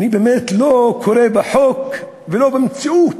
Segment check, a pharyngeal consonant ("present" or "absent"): present